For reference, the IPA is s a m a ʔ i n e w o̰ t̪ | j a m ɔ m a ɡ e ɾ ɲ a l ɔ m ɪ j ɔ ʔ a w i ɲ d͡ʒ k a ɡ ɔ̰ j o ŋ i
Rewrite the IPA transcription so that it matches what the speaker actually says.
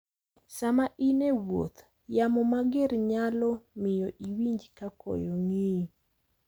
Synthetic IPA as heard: s a m a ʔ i n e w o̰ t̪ | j a m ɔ m a ɡ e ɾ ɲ a l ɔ m ɪ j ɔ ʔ i w i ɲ d͡ʒ k a k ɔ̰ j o ŋ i